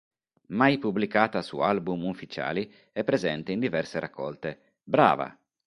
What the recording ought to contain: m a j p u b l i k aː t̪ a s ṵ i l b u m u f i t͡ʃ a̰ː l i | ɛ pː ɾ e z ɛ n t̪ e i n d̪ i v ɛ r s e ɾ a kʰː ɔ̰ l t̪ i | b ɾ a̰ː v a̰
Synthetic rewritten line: m a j p u b l i k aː t̪ a s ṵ a l b u m u f i t͡ʃ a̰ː l i | ɛ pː ɾ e z ɛ n t̪ e i n d̪ i v ɛ r s e ɾ a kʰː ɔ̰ l t̪ e | b ɾ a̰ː v a̰